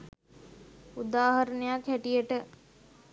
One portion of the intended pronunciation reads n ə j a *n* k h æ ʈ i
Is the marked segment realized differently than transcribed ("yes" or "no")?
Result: yes